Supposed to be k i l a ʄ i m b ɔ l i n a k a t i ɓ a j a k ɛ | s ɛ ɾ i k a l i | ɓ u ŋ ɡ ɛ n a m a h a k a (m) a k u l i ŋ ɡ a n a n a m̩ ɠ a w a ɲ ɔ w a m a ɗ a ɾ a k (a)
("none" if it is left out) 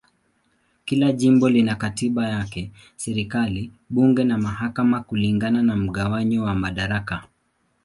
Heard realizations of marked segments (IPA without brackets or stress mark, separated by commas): m, a